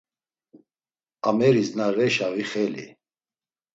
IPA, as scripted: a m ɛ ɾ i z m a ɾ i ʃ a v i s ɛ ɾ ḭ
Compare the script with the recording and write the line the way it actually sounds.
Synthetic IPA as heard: a m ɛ ɾ i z n a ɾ ɛ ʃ a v i χ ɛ l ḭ